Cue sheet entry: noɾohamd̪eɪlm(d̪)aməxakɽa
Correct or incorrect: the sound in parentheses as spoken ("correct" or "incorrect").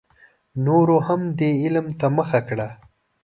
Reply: incorrect